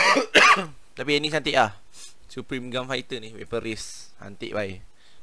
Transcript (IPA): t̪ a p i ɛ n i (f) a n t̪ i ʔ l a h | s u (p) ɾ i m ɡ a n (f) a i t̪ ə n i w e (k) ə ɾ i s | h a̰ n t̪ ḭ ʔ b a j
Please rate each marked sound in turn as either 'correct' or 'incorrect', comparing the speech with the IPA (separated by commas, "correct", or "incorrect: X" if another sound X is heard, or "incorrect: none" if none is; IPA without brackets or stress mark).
incorrect: s, correct, correct, incorrect: p